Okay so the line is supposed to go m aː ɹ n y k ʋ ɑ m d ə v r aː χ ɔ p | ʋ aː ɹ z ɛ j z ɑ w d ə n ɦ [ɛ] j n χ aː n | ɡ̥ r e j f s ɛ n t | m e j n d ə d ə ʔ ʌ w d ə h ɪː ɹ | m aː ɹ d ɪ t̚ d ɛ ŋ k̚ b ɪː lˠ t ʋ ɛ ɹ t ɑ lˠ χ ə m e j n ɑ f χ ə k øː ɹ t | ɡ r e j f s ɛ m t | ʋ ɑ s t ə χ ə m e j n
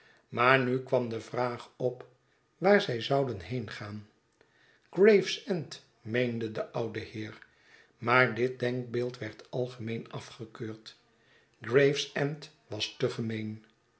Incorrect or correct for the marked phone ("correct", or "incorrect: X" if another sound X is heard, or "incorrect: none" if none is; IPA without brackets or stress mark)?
incorrect: e